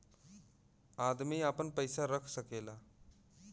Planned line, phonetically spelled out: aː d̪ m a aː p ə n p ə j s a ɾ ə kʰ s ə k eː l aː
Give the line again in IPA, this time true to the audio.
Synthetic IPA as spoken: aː d̪ m i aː p ə n p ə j s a ɾ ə kʰ s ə k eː l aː